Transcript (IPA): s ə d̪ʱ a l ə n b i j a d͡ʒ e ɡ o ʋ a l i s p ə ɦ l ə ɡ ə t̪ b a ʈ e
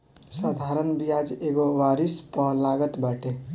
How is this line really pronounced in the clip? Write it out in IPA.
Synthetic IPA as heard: s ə d̪ʱ a ɾ ə n b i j a d͡ʒ e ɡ o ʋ a ɾ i s p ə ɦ l a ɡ ə t̪ b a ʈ e

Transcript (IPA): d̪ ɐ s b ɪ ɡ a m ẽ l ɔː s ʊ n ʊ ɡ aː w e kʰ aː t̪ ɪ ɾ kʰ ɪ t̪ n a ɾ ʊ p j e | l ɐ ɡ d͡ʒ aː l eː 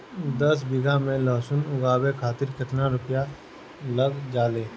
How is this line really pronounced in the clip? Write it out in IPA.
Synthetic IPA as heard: d̪ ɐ s b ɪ ɡ a m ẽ l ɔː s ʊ n ʊ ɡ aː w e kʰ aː t̪ ɪ ɾ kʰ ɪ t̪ n a ɾ ʊ p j a | l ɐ ɡ d͡ʒ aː l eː

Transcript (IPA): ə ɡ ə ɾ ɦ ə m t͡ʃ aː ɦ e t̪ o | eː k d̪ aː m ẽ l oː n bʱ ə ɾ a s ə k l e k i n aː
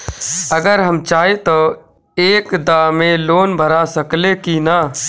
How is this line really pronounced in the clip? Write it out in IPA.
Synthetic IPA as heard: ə ɡ ə ɾ ɦ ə m t͡ʃ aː ɦ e t̪ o | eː k d̪ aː m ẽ l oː n bʱ ə ɾ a s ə k l e k i n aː

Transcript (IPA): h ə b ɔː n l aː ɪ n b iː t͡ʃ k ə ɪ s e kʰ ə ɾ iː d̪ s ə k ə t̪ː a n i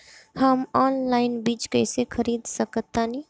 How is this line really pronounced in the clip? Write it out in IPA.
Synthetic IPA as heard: h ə m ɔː n l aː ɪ n b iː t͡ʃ k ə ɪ s e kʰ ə ɾ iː d̪ s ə k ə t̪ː a n i

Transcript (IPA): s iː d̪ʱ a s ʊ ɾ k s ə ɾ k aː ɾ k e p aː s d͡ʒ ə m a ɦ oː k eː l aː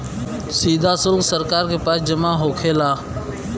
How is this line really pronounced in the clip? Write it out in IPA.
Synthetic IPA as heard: s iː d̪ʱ a s ʊ l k s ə ɾ k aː ɾ k e p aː s d͡ʒ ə m a ɦ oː kʰ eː l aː

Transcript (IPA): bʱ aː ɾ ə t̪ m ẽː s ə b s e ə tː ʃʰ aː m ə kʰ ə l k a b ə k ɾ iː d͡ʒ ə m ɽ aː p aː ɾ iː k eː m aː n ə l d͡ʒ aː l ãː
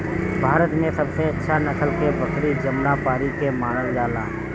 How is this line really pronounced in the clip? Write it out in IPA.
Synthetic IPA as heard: bʱ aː ɾ ə t̪ m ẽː s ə b s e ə tː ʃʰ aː n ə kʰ ə l k e b ə k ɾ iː d͡ʒ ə m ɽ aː p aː ɾ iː k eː m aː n ə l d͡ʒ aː l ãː

